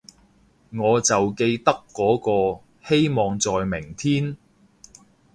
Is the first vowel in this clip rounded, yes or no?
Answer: yes